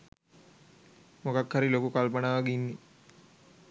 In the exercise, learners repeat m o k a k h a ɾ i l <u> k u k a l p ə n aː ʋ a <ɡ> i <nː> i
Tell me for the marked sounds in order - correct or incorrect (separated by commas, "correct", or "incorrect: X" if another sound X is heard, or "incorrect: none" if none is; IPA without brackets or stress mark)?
incorrect: o, correct, correct